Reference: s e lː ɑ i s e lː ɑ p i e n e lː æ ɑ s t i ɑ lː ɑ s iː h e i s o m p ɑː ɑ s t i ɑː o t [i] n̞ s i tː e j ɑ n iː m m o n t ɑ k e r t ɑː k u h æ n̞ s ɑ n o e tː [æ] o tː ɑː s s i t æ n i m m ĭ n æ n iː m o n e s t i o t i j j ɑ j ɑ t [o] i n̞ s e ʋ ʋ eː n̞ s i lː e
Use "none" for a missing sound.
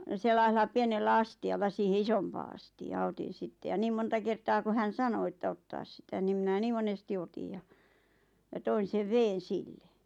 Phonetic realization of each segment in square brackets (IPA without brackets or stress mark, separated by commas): i, æ, o